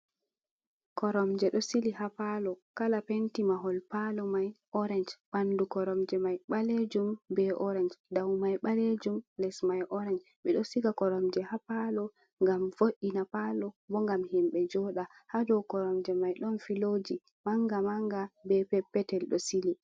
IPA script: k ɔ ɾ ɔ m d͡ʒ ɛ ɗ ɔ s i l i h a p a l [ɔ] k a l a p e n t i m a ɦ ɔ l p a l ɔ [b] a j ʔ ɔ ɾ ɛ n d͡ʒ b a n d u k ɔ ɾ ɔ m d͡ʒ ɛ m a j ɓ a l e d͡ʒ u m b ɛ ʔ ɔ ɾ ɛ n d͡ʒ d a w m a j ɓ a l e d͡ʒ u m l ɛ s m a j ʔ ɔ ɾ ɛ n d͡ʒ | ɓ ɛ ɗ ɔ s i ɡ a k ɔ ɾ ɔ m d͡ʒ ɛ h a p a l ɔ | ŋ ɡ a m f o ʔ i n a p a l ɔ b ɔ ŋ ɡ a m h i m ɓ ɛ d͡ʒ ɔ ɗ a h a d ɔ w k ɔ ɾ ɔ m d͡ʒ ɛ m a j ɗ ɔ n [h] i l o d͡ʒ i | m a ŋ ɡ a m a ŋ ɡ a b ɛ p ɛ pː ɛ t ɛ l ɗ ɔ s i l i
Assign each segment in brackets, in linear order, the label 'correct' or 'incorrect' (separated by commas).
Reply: correct, incorrect, incorrect